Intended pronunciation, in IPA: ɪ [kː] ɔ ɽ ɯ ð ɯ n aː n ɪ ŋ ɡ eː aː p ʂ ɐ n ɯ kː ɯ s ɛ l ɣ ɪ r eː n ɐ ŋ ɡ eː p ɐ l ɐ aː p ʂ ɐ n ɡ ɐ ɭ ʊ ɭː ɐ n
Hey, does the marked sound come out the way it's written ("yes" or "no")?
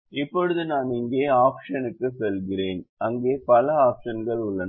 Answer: no